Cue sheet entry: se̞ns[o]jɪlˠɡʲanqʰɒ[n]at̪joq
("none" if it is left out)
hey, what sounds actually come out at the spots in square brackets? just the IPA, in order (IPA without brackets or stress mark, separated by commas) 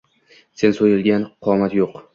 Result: o, m